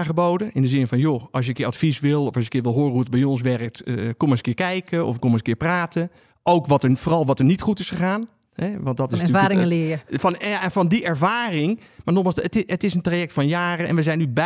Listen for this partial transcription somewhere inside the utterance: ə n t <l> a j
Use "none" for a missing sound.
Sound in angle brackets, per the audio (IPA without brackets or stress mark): r